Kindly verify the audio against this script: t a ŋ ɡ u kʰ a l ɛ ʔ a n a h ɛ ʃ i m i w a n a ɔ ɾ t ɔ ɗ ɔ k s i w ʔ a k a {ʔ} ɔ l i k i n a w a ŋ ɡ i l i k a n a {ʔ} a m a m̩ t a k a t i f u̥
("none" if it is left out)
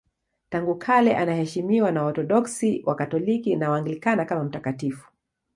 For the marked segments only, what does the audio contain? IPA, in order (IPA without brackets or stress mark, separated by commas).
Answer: t, k